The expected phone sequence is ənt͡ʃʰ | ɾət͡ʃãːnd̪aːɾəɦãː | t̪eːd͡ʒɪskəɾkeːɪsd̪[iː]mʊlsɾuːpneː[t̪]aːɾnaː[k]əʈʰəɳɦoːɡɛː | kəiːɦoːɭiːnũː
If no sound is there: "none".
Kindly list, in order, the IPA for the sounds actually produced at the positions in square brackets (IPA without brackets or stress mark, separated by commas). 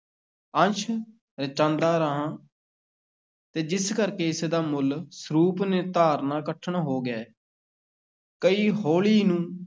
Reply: aː, t̪, k